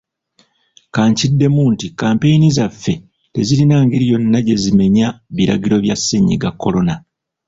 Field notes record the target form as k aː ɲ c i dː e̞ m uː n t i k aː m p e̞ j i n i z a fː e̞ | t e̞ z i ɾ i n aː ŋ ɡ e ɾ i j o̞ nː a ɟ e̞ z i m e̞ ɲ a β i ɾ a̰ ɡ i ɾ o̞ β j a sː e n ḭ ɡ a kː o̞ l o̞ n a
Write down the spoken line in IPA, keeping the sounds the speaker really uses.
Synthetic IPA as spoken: k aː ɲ c i dː e̞ m uː n t i k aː m p e̞ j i n i z a fː e̞ | t e̞ z i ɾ i n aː ŋ ɡ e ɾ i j o̞ nː a ɟ e̞ z i m e̞ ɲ a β i ɾ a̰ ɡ i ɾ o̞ β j a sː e ɲ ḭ ɡ a kː o̞ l o̞ n a

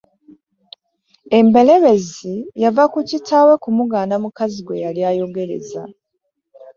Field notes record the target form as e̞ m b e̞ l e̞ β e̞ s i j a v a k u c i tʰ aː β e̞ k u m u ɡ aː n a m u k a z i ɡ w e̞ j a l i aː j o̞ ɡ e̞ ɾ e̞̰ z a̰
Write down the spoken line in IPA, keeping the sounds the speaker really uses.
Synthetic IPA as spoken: e̞ m b e̞ l e̞ β e̞ z i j a v a k u c i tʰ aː w e̞ k u m u ɡ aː n a m u k a z i ɡ w e̞ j a l j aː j o̞ ɡ e̞ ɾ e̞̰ z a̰

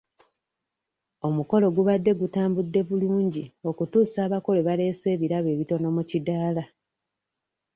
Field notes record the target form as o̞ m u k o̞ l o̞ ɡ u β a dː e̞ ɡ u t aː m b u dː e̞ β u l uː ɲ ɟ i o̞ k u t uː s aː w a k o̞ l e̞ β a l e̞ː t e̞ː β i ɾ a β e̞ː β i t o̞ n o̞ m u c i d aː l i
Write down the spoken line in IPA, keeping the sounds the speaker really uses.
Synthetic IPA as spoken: o̞ m u k o̞ l o̞ ɡ u β a dː e̞ ɡ u t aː m b u dː e̞ β u l uː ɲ ɟ i o̞ k u t uː s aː β a k o̞ l e̞ β a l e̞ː s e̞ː β i ɾ a β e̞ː β i t o̞ n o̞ m u c i d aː l a

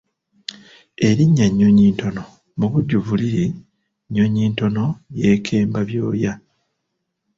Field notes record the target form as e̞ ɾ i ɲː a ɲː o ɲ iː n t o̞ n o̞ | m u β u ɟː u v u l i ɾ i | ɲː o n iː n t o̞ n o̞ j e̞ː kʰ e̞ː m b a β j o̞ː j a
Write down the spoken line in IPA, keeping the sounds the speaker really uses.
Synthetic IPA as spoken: e̞ ɾ i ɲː a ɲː o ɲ iː n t o̞ n o̞ | m u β u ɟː u v u l i ɾ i | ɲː o ɲ iː n t o̞ n o̞ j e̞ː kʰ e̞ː m b a β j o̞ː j a

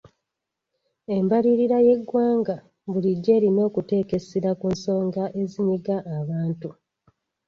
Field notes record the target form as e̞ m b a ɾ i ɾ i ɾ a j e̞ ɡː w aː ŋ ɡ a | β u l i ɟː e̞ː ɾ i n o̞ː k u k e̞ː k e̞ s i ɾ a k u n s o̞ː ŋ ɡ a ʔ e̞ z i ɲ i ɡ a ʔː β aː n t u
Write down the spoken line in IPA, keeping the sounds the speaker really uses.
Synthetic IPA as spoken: e̞ m b a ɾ i ɾ i ɾ a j e̞ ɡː w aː ŋ ɡ a | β u l i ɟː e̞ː ɾ i n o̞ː k u t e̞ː k e̞ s i ɾ a k u n s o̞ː ŋ ɡ a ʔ e̞ z i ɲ i ɡ a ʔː β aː n t u

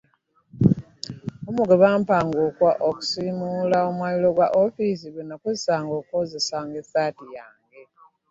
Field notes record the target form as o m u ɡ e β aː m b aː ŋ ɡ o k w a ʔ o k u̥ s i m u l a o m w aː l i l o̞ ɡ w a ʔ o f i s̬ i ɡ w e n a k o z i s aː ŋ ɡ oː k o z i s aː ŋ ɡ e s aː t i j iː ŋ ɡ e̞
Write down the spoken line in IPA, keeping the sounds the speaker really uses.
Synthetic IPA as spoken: o m u ɡ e β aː m p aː ŋ ɡ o k w a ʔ o k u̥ s i m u l a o m w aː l i l o̞ ɡ w a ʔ o f i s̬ i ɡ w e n a k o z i s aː ŋ ɡ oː k o z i s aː ŋ ɡ e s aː t i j aː ŋ ɡ e̞

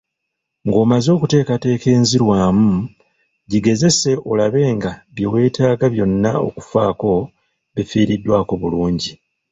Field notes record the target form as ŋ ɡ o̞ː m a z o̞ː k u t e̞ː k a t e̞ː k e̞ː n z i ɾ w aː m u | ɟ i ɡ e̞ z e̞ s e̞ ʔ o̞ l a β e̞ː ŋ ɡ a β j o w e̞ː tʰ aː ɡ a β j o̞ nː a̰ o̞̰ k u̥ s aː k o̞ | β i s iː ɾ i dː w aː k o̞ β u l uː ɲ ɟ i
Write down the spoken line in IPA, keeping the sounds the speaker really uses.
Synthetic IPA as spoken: ŋ ɡ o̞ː m a z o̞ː k u t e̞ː k a t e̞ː k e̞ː n z i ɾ w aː m u | ɟ i ɡ e̞ z e̞ s e̞ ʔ o̞ l a β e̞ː ŋ ɡ a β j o w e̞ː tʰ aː ɡ a β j o̞ nː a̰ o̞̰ k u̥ f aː k o̞ | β i f iː ɾ i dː w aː k o̞ β u l uː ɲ ɟ i

